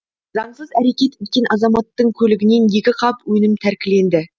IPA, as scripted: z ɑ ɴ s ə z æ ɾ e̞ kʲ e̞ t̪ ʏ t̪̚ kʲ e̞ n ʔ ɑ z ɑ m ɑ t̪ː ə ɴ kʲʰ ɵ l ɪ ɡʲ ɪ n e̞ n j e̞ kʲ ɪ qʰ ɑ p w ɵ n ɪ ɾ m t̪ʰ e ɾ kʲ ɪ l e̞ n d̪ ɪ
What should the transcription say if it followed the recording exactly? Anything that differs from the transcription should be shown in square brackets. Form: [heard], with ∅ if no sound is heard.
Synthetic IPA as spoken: z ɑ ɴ s ə z æ ɾ e̞ kʲ e̞ t̪ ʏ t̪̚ kʲ e̞ n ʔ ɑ z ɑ m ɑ t̪ː ə ɴ kʲʰ ɵ l ɪ ɡʲ ɪ n e̞ n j e̞ kʲ ɪ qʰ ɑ p w ɵ n ɪ [∅] m t̪ʰ [æ] ɾ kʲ ɪ l e̞ n d̪ ɪ

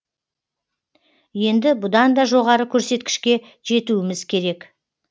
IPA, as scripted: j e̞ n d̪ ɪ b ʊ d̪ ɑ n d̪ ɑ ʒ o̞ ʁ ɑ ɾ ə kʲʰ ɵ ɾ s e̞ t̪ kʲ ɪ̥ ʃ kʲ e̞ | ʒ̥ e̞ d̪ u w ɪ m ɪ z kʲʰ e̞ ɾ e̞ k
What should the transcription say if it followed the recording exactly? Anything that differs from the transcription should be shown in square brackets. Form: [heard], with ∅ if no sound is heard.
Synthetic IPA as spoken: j e̞ n d̪ ɪ b ʊ d̪ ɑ n d̪ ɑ ʒ o̞ ʁ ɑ ɾ ə kʲʰ ɵ ɾ s e̞ t̪ kʲ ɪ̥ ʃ kʲ e̞ | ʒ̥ e̞ [t̪] u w ɪ m ɪ z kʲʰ e̞ ɾ e̞ k

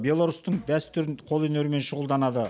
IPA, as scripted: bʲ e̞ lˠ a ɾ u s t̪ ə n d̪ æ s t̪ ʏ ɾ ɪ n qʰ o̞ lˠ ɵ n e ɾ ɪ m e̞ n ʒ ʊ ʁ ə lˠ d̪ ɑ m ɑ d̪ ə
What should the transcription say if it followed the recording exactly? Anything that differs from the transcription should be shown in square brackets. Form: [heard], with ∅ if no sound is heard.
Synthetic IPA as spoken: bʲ e̞ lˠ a ɾ u s t̪ ə [ɴ] d̪ æ s t̪ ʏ ɾ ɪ n qʰ o̞ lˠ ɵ n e ɾ ɪ m e̞ n [ʃ] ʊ ʁ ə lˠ d̪ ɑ [n] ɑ d̪ ə

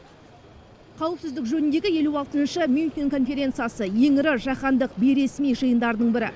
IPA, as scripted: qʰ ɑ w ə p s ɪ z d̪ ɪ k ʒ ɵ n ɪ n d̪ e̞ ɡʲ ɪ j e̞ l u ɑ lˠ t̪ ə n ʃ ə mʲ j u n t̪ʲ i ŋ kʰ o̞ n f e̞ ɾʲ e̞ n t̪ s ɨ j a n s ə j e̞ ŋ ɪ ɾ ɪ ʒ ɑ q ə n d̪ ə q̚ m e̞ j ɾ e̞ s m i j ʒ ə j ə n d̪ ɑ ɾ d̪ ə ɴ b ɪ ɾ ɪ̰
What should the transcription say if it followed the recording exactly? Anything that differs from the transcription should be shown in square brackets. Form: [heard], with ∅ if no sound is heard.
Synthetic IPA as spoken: qʰ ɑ w ə p s ɪ z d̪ ɪ k ʒ ɵ n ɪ n d̪ e̞ ɡʲ ɪ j e̞ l u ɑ lˠ t̪ ə n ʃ ə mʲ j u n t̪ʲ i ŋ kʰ o̞ n f e̞ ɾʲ e̞ n t̪ s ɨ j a [∅] s ə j e̞ ŋ ɪ ɾ ɪ ʒ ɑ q [ɑ] n d̪ ə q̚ [b] e̞ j ɾ e̞ s m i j ʒ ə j ə n d̪ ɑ ɾ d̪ ə ɴ b ɪ ɾ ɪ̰

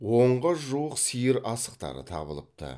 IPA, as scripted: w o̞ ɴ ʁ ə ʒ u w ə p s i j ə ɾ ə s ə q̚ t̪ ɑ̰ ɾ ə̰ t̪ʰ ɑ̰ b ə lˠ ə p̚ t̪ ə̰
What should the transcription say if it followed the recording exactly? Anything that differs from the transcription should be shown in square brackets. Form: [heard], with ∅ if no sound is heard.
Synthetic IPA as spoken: w o̞ ɴ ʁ ə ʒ u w ə [q] s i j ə ɾ [ɑ] s ə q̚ t̪ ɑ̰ ɾ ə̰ t̪ʰ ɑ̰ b ə lˠ ə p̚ t̪ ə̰

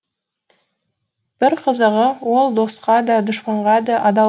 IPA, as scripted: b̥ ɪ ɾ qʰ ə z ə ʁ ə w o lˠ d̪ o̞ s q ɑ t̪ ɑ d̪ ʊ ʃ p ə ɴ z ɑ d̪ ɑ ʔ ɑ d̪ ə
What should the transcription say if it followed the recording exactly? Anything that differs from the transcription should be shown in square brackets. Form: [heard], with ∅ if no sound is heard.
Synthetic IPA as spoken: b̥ ɪ ɾ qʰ ə z ə ʁ ə w o lˠ d̪ o̞ s q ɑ [d̪] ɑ d̪ ʊ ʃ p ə ɴ [ʁ] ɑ d̪ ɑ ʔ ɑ d̪ [ɑ]

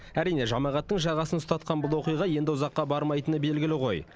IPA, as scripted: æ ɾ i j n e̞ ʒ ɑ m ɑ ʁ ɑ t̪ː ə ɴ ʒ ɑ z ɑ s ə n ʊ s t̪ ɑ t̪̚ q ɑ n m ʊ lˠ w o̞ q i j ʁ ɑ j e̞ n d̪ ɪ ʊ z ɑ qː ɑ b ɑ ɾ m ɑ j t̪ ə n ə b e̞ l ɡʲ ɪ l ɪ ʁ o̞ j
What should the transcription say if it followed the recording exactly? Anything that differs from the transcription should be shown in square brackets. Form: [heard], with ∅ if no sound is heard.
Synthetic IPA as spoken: æ ɾ i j n e̞ ʒ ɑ m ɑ ʁ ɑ t̪ː ə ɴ ʒ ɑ [ʁ] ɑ s ə n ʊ s t̪ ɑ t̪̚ q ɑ n [b] ʊ lˠ w o̞ q i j ʁ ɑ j e̞ n d̪ ɪ ʊ z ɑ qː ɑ b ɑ ɾ m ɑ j t̪ ə n ə b e̞ l ɡʲ ɪ l ɪ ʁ o̞ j

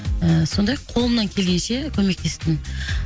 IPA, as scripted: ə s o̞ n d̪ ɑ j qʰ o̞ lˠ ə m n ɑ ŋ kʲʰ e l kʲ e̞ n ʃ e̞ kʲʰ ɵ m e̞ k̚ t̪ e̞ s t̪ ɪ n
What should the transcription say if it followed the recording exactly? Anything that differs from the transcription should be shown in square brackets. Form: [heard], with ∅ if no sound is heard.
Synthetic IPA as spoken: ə s o̞ n d̪ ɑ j qʰ o̞ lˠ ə m n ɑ ŋ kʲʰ e l [ɡʲ] e̞ n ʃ e̞ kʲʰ ɵ m e̞ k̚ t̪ e̞ s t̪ ɪ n

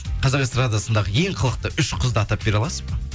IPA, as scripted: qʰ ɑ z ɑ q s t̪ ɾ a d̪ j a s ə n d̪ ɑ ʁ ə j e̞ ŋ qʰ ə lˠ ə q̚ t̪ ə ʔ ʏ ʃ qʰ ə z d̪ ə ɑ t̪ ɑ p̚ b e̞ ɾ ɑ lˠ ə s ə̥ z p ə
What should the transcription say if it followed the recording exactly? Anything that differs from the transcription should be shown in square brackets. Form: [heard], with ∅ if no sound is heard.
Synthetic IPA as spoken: qʰ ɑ z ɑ q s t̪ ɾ a d̪ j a s ə n d̪ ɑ ʁ ə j e̞ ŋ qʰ ə lˠ ə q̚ t̪ ə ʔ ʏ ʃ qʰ ə z d̪ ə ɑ t̪ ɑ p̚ b e̞ ɾ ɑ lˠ [ɑ] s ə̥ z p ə

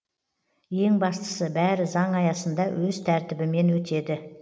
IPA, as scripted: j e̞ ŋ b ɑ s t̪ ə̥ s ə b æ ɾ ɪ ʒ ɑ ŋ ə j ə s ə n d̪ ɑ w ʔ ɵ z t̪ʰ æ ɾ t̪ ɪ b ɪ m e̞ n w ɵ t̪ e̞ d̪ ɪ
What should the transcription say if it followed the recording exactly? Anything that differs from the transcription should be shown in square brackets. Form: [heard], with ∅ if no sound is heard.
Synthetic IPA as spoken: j e̞ ŋ b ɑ s t̪ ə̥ s ə b æ ɾ ɪ [z] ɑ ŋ [ɑ] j [ɑ] s ə n d̪ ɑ w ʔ ɵ z t̪ʰ æ ɾ t̪ ɪ b ɪ m e̞ n w ɵ t̪ e̞ d̪ ɪ

